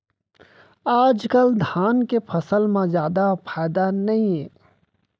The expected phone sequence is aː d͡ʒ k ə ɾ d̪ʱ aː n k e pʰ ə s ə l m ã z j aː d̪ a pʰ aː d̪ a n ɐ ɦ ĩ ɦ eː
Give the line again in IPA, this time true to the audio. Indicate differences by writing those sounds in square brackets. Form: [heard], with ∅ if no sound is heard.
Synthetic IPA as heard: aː d͡ʒ k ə [l] d̪ʱ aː n k e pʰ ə s ə l m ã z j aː d̪ a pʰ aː d̪ a n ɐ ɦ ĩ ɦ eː